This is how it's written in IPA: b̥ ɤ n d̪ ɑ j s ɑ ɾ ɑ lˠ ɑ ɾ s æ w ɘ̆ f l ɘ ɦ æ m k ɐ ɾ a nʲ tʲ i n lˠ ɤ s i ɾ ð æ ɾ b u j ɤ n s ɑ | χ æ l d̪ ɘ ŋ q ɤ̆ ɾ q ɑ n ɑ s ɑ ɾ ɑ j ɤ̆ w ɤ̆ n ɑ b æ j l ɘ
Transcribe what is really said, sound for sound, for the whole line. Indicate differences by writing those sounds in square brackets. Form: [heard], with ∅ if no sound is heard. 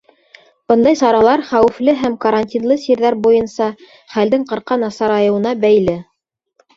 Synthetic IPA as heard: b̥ ɤ n d̪ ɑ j s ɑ ɾ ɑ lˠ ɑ ɾ [χ] æ w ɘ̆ f l ɘ ɦ æ m k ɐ ɾ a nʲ tʲ i n lˠ ɤ s i ɾ ð æ ɾ b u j ɤ n s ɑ | χ æ l d̪ ɘ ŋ q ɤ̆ ɾ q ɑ n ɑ s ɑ ɾ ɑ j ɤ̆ w ɤ̆ n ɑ b æ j l ɘ

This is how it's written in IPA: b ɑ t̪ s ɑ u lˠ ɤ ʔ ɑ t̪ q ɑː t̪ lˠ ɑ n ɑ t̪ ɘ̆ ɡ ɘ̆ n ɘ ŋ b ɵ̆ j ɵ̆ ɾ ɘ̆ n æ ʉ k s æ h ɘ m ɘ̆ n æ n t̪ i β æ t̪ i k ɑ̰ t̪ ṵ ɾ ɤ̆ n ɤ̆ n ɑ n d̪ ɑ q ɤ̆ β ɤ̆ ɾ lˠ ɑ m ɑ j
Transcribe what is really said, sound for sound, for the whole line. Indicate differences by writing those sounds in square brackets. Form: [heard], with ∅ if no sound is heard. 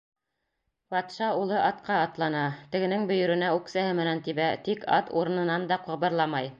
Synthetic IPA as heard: b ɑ t̪ [ʃ] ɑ u lˠ ɤ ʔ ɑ t̪ q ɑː t̪ lˠ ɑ n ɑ t̪ ɘ̆ ɡ ɘ̆ n ɘ ŋ b ɵ̆ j ɵ̆ ɾ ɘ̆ n æ ʉ k s æ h ɘ m ɘ̆ n æ n t̪ i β æ t̪ i k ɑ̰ t̪ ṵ ɾ ɤ̆ n ɤ̆ n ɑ n d̪ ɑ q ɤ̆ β ɤ̆ ɾ lˠ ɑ m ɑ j

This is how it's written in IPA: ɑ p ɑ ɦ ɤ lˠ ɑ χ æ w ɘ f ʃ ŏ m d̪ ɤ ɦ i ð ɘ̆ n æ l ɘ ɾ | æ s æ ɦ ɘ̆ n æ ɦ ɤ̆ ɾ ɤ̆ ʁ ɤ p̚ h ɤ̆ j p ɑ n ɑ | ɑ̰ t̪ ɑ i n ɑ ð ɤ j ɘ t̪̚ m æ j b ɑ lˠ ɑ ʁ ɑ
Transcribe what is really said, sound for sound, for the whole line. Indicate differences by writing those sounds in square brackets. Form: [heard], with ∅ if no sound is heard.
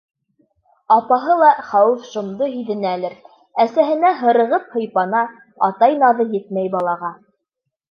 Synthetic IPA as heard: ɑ p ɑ ɦ ɤ lˠ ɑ χ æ w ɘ f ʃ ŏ m d̪ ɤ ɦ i ð ɘ̆ n æ l ɘ ɾ | æ s æ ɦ ɘ̆ n æ ɦ ɤ̆ ɾ ɤ̆ ʁ ɤ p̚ h ɤ̆ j p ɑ n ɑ | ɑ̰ t̪ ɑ [j] n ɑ ð ɤ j ɘ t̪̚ m æ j b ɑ lˠ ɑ ʁ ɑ

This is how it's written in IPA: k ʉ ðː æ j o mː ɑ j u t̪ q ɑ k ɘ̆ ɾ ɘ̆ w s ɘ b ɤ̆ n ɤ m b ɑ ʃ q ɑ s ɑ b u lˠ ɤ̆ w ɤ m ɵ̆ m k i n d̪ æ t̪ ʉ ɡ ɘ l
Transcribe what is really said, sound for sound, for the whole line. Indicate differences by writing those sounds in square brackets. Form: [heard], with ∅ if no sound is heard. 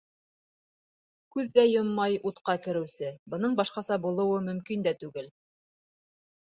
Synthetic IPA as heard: k ʉ ðː æ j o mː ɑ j u t̪ q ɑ k ɘ̆ ɾ ɘ̆ w s ɘ b ɤ̆ n ɤ [ɴ] b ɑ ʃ q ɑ s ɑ b u lˠ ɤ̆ w ɤ m ɵ̆ m k i n d̪ æ t̪ ʉ ɡ ɘ l

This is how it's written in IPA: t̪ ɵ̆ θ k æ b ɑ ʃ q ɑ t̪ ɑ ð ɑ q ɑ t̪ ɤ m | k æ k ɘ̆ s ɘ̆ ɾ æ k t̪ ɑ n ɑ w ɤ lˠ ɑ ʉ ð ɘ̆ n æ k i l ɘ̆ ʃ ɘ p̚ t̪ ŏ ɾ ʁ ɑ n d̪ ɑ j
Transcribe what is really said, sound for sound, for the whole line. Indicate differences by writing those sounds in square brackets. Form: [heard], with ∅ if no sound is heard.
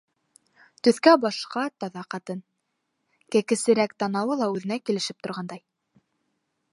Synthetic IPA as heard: t̪ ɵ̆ θ k æ b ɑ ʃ q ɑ t̪ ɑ ð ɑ q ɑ t̪ ɤ [n] | k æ k ɘ̆ s ɘ̆ ɾ æ k t̪ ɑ n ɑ w ɤ lˠ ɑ ʉ ð ɘ̆ n æ k i l ɘ̆ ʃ ɘ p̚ t̪ ŏ ɾ ʁ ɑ n d̪ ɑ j

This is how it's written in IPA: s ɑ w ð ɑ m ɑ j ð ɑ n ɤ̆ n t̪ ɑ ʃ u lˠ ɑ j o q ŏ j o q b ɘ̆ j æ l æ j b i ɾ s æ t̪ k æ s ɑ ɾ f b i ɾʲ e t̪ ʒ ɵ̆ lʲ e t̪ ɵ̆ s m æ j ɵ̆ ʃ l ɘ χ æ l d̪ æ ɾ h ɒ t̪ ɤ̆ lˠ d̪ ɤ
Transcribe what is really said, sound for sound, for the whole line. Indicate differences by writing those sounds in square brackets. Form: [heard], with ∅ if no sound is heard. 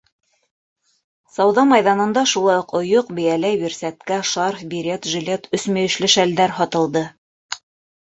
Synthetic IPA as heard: s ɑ w ð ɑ m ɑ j ð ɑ n ɤ̆ n [d̪] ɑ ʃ u lˠ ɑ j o q ŏ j o q b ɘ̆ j æ l æ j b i ɾ s æ t̪ k æ [ʃ] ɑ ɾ f b i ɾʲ e t̪ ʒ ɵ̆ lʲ e t̪ ɵ̆ s m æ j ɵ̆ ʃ l ɘ [ʃ] æ l d̪ æ ɾ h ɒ t̪ ɤ̆ lˠ d̪ ɤ

